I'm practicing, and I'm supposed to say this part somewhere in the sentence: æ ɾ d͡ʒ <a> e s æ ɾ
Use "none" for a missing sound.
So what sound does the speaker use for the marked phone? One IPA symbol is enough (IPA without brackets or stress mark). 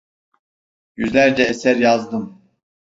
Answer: ɛ